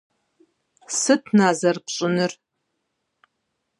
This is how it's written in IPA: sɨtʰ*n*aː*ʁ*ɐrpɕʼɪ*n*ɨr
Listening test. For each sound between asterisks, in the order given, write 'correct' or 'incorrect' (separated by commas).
correct, incorrect, correct